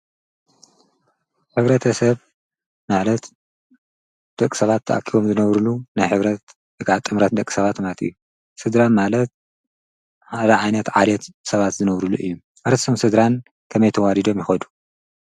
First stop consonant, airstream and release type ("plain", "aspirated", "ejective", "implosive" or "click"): aspirated